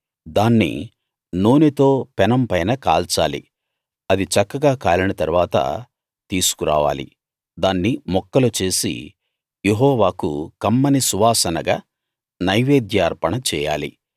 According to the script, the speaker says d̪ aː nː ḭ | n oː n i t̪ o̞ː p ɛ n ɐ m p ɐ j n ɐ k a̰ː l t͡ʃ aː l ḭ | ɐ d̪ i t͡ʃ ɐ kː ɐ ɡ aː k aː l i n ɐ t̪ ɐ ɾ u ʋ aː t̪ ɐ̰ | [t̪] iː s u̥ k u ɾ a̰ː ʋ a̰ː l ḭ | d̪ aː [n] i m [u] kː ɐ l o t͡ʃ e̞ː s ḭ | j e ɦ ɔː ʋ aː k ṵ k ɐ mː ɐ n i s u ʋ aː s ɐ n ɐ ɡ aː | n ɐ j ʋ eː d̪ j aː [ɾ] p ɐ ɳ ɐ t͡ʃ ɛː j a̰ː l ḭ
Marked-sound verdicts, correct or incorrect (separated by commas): correct, incorrect, incorrect, correct